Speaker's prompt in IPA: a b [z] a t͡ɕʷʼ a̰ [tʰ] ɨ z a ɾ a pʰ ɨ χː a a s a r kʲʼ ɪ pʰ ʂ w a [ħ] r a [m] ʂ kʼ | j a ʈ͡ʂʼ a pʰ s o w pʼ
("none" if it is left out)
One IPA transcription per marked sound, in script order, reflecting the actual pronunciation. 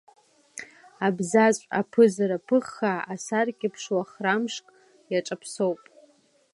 z, pʰ, χ, m

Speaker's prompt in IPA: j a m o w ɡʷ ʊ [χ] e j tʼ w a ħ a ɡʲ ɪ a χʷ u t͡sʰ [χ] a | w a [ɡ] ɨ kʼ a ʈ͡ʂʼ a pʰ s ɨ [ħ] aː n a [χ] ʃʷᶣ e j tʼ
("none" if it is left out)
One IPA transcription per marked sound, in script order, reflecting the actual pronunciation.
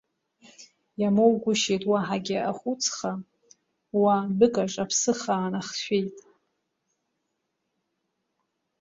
ʃ, χ, b, χ, χ

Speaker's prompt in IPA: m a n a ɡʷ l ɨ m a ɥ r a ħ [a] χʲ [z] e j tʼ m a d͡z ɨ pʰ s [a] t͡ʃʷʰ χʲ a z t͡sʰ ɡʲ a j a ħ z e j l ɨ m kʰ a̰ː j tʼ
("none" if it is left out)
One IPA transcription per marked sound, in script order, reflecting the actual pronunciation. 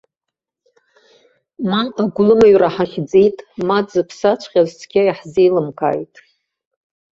a, d͡z, a

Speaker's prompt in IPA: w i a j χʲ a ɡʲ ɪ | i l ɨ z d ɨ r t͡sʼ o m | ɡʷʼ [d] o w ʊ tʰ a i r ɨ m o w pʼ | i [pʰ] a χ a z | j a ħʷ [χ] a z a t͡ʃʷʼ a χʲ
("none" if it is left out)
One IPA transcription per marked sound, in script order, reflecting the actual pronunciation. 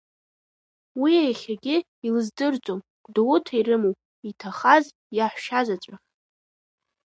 d, tʰ, ʃ

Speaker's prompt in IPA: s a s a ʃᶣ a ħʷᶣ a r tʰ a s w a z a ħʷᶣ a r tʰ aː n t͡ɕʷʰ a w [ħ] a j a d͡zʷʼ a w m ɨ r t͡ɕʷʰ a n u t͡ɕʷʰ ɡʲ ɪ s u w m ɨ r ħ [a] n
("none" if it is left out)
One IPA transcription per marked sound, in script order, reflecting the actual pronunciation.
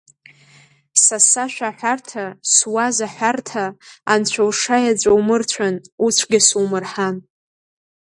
ʂ, a

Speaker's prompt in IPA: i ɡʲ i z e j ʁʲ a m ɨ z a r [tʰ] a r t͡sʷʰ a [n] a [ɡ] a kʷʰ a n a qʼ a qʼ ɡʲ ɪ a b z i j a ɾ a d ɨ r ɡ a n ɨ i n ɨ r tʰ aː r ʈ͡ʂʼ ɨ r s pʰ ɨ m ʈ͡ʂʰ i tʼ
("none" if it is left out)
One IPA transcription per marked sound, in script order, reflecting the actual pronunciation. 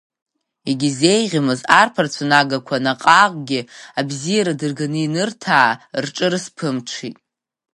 pʰ, n, ɡ

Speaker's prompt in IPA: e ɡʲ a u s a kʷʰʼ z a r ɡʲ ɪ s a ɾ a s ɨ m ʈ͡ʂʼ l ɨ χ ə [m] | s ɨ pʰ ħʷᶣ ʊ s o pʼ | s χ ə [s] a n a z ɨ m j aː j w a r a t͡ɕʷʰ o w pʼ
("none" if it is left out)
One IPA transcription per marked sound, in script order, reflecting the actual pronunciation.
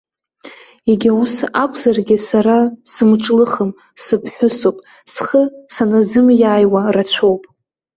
m, s

